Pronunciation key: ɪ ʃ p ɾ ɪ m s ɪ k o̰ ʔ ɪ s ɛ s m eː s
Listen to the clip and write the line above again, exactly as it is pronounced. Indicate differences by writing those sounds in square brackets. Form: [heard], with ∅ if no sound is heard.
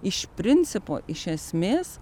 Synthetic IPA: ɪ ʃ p ɾ ɪ [n] s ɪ [p] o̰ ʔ ɪ [ʃ] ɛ s m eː s